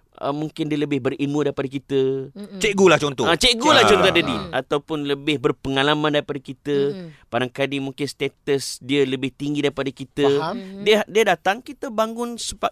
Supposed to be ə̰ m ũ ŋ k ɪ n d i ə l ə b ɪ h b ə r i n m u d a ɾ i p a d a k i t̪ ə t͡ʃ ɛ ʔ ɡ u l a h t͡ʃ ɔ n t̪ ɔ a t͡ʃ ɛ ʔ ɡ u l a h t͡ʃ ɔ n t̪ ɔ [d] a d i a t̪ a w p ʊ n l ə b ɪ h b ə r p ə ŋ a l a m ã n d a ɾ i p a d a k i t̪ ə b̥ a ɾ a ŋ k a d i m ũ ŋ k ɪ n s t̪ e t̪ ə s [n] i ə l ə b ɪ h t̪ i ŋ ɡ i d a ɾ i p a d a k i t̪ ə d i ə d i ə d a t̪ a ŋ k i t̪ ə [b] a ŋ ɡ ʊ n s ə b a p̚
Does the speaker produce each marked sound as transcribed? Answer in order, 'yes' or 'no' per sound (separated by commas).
yes, no, yes